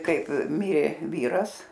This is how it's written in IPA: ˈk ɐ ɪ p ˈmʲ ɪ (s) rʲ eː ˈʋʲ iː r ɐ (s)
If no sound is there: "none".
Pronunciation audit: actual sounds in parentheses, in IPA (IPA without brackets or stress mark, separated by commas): none, s